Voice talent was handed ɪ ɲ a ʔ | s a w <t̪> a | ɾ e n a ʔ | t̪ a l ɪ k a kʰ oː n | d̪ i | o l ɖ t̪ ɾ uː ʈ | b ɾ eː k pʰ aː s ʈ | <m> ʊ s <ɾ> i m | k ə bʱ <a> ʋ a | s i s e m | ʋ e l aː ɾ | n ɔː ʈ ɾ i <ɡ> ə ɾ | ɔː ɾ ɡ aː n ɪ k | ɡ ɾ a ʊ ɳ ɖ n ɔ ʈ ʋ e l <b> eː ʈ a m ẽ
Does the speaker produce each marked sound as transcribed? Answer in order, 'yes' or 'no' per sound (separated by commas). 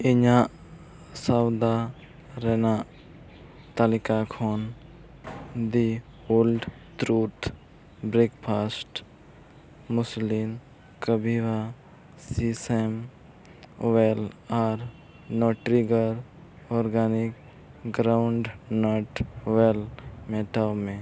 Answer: no, yes, no, no, yes, no